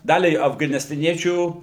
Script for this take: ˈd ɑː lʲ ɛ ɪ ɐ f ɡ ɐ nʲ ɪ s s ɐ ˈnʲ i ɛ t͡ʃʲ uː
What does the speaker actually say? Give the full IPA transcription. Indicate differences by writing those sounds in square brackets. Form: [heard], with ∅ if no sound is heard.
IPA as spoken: ˈd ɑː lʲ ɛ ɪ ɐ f ɡ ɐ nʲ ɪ s [t] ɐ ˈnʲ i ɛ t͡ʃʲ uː